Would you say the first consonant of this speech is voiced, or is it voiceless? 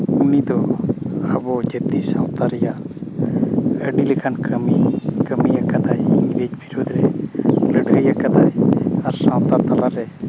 voiced